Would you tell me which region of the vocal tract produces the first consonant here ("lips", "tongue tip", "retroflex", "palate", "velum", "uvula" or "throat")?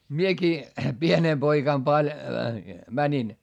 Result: lips